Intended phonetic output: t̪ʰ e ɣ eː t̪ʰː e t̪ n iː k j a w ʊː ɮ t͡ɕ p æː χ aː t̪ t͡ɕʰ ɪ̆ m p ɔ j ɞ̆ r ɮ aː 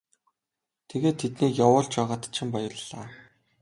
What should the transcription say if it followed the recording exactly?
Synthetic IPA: t̪ʰ e ɣ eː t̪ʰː e t̪ n iː k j a w ʊː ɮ t͡ɕ p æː ʁ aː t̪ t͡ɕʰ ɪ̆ m p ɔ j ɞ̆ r ɮ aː